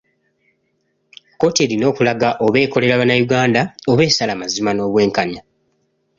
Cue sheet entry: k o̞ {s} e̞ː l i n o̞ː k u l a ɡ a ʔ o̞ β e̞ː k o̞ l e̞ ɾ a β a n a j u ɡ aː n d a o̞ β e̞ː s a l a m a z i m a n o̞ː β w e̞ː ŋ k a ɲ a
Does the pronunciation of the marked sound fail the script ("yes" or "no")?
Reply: yes